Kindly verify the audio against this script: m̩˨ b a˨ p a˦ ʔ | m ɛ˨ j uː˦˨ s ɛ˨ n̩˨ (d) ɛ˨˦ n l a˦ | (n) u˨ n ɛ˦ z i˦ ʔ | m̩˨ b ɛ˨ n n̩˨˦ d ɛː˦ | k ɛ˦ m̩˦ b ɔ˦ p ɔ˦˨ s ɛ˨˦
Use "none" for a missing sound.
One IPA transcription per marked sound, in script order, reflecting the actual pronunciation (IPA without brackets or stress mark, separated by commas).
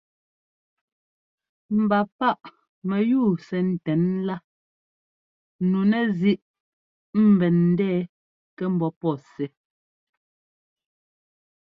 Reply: t, n